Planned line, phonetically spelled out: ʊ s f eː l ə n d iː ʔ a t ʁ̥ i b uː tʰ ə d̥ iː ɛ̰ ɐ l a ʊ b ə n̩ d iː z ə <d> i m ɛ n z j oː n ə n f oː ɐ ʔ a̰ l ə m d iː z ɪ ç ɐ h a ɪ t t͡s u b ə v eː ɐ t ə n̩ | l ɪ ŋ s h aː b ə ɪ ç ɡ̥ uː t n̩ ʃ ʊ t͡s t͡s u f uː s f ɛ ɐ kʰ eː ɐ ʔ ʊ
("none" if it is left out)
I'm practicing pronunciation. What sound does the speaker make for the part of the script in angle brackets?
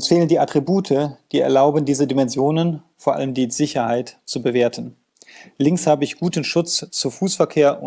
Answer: d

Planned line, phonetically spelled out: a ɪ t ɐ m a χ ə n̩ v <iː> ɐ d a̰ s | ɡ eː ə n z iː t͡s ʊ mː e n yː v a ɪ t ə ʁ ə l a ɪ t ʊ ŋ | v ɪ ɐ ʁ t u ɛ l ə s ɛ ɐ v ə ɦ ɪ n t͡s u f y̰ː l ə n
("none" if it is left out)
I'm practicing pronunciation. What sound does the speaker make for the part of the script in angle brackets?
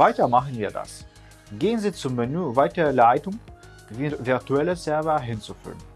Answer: iː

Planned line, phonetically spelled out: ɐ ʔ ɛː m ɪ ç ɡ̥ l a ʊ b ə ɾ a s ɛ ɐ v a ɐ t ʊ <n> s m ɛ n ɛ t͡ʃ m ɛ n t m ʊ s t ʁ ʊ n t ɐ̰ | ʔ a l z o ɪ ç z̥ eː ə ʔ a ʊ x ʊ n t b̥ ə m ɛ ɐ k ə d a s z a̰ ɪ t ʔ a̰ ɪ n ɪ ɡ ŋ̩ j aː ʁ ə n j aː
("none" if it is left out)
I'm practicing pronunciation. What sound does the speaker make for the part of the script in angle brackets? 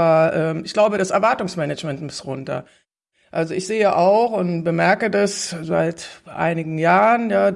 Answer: ŋ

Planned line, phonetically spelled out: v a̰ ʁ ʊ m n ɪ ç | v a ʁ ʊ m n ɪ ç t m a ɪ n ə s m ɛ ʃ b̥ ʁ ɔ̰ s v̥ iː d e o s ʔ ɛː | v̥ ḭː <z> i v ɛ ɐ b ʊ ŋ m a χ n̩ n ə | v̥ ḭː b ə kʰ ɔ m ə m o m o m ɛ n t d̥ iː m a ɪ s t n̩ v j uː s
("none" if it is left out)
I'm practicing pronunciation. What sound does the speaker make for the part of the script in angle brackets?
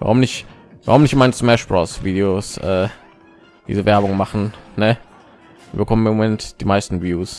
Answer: z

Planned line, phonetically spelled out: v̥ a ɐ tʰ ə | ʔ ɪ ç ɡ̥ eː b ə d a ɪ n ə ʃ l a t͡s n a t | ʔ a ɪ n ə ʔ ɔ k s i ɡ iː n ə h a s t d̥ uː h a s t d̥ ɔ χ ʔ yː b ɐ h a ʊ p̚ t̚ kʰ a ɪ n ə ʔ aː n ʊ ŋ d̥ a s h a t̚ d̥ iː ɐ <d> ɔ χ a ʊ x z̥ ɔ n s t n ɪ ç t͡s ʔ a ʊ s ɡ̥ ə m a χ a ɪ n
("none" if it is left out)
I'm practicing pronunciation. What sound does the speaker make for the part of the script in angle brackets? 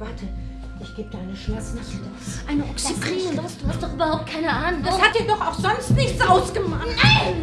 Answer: d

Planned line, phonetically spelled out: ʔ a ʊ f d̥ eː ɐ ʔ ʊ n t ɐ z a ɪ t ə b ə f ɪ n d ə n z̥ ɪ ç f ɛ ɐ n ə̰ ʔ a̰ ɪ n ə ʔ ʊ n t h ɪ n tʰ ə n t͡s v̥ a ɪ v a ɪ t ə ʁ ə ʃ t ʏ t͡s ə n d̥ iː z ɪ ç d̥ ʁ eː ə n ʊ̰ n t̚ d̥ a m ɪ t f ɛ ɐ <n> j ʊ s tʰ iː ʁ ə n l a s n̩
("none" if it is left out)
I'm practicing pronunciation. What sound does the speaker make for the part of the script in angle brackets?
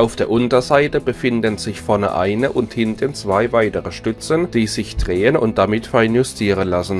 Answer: n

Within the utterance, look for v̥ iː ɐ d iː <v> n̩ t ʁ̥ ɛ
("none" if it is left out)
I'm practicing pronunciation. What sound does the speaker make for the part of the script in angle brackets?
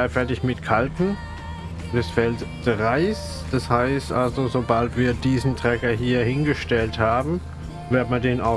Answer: z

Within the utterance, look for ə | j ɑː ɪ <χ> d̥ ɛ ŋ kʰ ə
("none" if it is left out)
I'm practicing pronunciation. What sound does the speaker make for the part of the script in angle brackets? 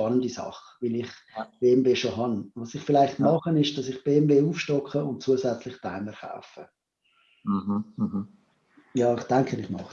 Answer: χ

